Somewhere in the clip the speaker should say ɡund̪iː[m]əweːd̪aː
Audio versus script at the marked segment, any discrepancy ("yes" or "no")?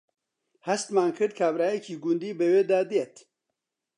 yes